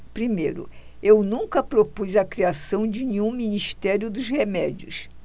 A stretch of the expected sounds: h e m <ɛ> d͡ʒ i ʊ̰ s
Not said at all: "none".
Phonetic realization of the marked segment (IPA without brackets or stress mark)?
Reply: ɛ